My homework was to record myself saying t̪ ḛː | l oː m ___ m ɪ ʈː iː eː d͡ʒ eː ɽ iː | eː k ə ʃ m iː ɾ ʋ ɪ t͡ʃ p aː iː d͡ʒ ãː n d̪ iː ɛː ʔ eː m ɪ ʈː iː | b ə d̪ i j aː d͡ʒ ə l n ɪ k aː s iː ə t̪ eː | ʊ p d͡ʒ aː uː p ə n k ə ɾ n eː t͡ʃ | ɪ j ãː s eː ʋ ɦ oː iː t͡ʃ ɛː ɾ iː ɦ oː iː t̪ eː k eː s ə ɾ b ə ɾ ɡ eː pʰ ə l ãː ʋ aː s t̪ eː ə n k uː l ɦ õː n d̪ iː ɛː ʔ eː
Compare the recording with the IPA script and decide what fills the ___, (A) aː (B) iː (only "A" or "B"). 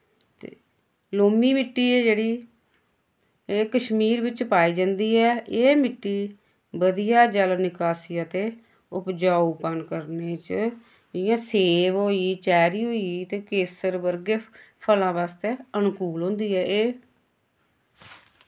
B